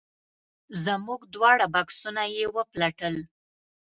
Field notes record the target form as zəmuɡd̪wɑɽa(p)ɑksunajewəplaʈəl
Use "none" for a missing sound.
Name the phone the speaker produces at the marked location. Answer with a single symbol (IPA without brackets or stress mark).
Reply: b